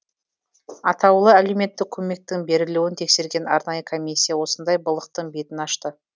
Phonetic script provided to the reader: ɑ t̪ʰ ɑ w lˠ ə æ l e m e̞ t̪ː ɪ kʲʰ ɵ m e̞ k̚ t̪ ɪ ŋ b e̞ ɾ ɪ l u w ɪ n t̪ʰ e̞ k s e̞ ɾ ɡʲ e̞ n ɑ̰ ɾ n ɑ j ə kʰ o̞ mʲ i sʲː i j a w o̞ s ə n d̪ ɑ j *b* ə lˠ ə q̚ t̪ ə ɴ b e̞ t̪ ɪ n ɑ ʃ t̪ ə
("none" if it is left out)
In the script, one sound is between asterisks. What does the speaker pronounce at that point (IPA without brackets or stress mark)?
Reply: b